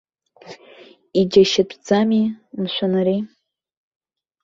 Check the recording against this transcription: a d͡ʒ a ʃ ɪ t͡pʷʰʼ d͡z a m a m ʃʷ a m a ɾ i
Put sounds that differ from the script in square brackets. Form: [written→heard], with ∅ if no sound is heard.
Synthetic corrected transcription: [a→i] d͡ʒ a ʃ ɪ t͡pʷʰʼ d͡z a m [a→i] m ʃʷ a [m→n] a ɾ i